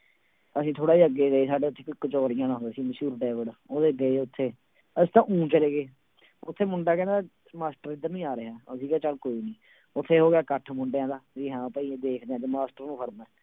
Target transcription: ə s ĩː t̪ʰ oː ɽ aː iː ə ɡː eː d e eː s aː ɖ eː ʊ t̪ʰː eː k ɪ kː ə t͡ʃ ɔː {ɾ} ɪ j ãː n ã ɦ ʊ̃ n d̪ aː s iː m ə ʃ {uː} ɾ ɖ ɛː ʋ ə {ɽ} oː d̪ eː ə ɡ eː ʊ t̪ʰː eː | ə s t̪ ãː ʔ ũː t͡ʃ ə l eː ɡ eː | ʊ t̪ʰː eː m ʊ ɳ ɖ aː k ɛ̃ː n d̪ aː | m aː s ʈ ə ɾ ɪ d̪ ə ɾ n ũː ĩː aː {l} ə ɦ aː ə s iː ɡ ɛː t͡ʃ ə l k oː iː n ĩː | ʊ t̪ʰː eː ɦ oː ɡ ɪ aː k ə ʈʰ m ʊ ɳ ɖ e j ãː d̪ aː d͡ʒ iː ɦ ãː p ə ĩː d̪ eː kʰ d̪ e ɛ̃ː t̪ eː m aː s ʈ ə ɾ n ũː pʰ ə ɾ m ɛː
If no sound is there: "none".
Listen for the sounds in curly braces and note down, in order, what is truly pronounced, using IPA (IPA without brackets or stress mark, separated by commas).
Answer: ɾ, uː, ɽ, ɾ